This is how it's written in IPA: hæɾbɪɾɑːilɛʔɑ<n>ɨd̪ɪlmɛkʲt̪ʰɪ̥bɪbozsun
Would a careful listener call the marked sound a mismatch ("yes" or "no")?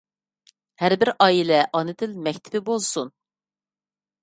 no